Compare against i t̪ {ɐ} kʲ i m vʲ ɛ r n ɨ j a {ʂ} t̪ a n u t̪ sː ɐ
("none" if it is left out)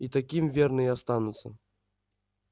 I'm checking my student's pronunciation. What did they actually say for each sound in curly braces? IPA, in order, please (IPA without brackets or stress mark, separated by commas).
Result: a, s